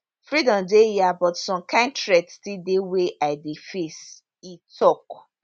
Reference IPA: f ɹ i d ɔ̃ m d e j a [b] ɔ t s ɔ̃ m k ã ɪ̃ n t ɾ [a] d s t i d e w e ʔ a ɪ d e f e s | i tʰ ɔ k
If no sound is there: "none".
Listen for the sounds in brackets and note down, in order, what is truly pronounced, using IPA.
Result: b, ɛ

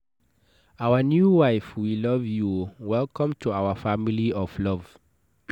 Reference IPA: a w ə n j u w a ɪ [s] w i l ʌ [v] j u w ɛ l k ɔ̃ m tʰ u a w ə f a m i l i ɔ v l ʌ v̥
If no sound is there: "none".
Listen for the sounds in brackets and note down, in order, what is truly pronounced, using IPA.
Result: f, v

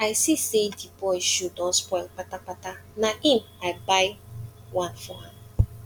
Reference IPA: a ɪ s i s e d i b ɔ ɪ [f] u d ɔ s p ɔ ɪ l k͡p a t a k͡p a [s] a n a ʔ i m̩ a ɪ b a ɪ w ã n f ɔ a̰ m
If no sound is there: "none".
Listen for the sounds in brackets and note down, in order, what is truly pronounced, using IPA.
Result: ʃ, t

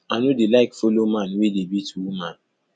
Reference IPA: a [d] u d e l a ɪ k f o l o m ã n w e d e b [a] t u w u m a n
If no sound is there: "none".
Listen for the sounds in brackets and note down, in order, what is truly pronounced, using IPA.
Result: n, i

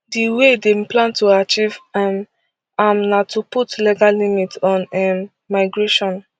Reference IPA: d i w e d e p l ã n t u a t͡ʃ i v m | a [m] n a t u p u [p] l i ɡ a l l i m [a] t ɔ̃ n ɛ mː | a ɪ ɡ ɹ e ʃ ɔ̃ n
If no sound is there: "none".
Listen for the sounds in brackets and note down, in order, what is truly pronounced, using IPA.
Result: m, t, i

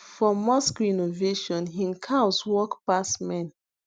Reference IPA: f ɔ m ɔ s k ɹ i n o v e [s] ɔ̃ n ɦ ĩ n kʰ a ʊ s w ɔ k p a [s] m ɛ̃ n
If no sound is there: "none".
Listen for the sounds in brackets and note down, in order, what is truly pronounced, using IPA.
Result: ʃ, s

